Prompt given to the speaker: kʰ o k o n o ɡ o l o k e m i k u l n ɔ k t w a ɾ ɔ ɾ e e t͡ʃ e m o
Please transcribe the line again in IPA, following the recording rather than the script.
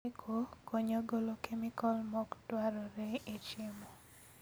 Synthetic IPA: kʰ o k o ɲ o ɡ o l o k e m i k ɔ l m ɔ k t w a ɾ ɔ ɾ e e t͡ʃ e m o